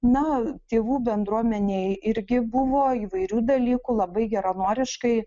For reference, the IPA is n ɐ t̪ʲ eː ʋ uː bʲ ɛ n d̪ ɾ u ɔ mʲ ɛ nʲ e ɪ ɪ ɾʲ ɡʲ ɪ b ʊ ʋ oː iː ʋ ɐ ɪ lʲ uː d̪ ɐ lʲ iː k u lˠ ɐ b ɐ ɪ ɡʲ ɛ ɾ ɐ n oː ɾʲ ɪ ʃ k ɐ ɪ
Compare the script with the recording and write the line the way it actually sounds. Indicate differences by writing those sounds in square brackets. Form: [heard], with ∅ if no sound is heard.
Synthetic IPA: n ɐ t̪ʲ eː ʋ uː bʲ ɛ n d̪ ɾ u ɔ mʲ ɛ nʲ e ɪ ɪ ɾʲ ɡʲ ɪ b ʊ ʋ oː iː ʋ ɐ ɪ [ɾʲ] uː d̪ ɐ lʲ iː k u lˠ ɐ b ɐ ɪ ɡʲ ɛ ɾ ɐ n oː ɾʲ ɪ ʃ k ɐ ɪ